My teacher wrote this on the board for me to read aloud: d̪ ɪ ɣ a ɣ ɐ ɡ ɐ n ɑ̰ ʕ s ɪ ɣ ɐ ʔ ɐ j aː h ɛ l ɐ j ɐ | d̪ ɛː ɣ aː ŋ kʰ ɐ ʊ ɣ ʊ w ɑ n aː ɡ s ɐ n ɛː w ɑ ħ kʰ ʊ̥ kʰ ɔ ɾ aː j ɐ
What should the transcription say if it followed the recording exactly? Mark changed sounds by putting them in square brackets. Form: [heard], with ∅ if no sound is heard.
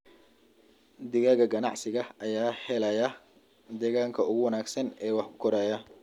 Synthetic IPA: d̪ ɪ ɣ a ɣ ɐ ɡ ɐ n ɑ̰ ʕ s ɪ ɣ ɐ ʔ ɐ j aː h ɛ l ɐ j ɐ | d̪ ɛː ɣ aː ŋ kʰ ɐ ʊ ɣ ʊ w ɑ n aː ɡ s ɐ n ɛː w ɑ ħ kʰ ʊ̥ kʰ ɔ ɾ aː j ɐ